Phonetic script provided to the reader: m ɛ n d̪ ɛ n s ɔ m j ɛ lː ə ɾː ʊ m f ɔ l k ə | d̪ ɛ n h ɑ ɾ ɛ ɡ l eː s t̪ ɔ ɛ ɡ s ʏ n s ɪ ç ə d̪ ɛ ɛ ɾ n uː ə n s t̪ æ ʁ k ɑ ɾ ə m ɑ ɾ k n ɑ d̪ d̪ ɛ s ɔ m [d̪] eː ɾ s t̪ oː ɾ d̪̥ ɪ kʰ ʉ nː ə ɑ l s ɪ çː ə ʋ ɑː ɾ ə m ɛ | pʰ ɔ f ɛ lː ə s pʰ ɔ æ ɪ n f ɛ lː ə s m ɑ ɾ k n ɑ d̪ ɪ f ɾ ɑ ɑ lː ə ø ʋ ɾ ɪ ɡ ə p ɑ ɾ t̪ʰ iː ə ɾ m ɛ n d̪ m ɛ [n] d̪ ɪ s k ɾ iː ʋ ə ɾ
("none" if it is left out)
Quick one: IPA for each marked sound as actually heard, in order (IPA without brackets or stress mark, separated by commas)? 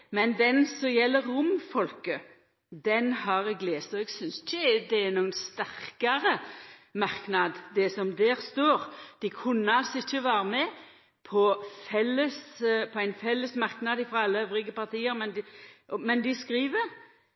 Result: d̪, n